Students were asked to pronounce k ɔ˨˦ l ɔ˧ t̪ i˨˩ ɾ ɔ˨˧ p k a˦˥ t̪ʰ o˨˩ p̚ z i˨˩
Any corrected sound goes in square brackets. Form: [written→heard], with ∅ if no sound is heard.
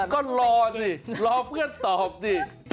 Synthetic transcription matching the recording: k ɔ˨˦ l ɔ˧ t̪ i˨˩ [ɾ→l] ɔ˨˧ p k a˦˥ [t̪ʰ→t̪] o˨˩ p̚ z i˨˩